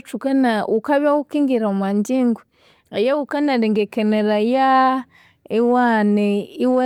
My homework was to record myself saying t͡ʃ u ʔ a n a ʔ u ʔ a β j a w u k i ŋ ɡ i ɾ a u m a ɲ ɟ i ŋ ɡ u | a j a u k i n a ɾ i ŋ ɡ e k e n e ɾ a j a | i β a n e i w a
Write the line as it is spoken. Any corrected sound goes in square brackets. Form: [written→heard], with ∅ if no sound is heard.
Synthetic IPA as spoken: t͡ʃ u [ʔ→k] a n a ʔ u [ʔ→k] a β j a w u k i ŋ ɡ i ɾ a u m a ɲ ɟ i ŋ ɡ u | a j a u k [i→a] n a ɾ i ŋ ɡ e k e n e ɾ a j a | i [β→w] a n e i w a